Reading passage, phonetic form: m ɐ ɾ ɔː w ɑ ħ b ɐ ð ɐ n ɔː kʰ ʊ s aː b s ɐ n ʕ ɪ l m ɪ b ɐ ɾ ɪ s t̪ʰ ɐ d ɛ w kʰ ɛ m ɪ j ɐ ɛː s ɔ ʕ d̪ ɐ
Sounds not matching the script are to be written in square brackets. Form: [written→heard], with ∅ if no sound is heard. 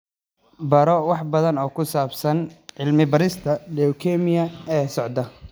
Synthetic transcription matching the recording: [m→b] ɐ ɾ [ɔː→ɔ] w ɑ ħ b ɐ ð ɐ n ɔː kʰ ʊ s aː b s ɐ n ʕ ɪ l m ɪ b ɐ ɾ ɪ s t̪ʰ ɐ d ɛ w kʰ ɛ m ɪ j ɐ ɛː s ɔ ʕ d̪ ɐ

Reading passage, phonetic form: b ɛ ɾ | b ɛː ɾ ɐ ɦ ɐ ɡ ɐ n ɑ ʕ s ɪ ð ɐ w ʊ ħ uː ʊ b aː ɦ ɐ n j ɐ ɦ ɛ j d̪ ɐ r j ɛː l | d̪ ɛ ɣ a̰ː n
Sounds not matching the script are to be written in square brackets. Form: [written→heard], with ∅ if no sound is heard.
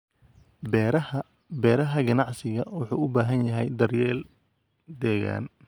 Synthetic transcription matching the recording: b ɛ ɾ | b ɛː ɾ ɐ ɦ ɐ ɡ ɐ n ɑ ʕ s ɪ [ð→ɣ] ɐ w ʊ ħ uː ʊ b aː ɦ ɐ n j ɐ ɦ ɛ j d̪ ɐ r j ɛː l | d̪ [ɛ→ɛː] ɣ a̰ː n

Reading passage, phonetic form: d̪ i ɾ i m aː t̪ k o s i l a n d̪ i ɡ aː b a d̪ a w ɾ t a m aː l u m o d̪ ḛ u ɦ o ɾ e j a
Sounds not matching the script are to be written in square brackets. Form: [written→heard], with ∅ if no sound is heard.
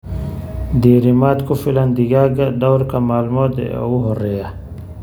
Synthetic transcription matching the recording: d̪ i ɾ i m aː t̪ k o [s→f] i l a n d̪ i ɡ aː [b→ɡ] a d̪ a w ɾ [t→k] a m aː l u m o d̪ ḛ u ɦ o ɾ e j a

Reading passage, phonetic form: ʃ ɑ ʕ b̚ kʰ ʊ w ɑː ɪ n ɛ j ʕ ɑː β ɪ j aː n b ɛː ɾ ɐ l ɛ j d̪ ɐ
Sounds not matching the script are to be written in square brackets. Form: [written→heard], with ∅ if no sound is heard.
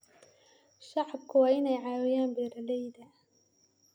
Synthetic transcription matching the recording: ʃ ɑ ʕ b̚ kʰ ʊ w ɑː ɪ n ɛ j ʕ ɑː [β→w] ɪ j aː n b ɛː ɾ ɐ l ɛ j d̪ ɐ

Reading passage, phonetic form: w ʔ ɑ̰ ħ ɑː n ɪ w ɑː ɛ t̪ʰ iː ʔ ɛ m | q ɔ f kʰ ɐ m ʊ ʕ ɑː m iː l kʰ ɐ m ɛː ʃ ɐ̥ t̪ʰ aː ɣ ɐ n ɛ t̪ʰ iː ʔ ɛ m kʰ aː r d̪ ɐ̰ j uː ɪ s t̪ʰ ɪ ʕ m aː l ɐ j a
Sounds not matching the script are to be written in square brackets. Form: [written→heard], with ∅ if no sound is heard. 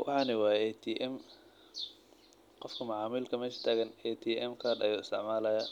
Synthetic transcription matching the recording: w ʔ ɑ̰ ħ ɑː n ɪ w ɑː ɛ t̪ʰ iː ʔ ɛ m | q ɔ f kʰ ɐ m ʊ ʕ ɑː m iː l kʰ ɐ m ɛː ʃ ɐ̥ t̪ʰ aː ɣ ɐ n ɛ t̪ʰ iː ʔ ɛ m kʰ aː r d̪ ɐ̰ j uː ɪ s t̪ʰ ɪ ʕ m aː l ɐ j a

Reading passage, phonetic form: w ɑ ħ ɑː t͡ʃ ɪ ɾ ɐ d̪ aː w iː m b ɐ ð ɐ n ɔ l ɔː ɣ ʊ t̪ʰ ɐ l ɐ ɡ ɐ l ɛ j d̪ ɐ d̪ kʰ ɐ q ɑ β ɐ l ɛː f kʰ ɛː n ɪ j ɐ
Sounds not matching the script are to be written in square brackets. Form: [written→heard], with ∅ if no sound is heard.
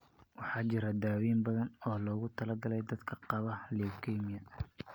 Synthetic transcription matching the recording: w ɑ ħ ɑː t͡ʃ ɪ ɾ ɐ d̪ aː w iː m b ɐ ð ɐ n [ɔ→ɔː] l ɔː ɣ ʊ t̪ʰ ɐ l ɐ ɡ ɐ l ɛ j d̪ ɐ d̪ kʰ ɐ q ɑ β ɐ l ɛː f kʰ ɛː [n→m] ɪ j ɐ

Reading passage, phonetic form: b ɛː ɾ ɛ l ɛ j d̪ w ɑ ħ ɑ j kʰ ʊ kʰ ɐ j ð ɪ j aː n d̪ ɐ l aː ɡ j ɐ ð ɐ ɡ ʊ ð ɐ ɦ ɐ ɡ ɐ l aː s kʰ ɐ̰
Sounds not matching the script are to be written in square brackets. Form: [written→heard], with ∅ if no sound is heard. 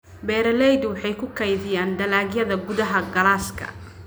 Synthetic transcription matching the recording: b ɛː ɾ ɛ l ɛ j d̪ w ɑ ħ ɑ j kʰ ʊ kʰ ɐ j ð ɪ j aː n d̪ ɐ l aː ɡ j ɐ ð ɐ ɡ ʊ ð ɐ ɦ ɐ ɡ ɐ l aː s kʰ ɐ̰

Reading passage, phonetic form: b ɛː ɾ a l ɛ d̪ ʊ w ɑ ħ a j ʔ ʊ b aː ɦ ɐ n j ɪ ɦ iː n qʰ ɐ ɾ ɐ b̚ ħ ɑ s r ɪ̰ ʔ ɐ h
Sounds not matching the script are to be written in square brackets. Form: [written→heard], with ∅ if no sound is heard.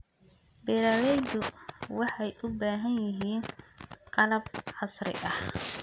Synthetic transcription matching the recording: b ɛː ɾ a l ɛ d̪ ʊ w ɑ ħ [a→ɑ] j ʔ ʊ b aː ɦ ɐ n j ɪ ɦ iː n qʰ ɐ [ɾ→l] ɐ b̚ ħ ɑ s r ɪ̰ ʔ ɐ h

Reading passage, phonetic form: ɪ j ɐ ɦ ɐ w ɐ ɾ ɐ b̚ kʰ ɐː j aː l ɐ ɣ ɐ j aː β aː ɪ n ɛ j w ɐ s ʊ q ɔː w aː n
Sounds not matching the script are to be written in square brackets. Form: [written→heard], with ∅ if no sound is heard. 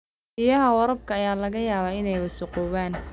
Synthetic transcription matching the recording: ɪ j ɐ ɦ ɐ w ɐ ɾ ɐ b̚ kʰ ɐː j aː l ɐ ɣ ɐ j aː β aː ɪ n ɛ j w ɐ s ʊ q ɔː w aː n

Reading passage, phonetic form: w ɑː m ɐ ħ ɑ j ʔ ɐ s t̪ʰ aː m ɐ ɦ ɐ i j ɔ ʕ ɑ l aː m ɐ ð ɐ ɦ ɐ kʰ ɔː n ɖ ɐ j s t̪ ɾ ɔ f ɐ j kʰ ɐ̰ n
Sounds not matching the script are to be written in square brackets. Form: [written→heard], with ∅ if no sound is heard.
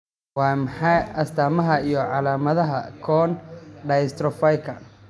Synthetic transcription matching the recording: w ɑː m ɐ ħ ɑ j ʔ ɐ s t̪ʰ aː m ɐ ɦ ɐ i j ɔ ʕ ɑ l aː m ɐ ð ɐ ɦ ɐ kʰ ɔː n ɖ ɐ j s t̪ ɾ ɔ f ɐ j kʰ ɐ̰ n

